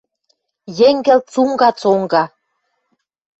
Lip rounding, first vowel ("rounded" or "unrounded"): unrounded